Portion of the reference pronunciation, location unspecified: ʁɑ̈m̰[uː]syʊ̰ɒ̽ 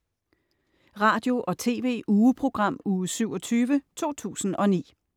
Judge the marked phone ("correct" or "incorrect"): correct